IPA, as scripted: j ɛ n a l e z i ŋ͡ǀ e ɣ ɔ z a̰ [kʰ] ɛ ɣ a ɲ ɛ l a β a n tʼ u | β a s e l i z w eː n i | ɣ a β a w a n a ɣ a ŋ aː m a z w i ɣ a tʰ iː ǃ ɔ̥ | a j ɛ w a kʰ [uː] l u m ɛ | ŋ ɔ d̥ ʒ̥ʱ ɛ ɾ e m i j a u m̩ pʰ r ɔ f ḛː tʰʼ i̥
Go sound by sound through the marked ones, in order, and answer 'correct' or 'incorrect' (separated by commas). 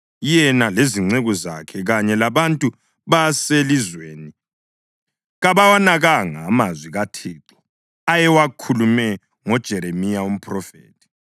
correct, incorrect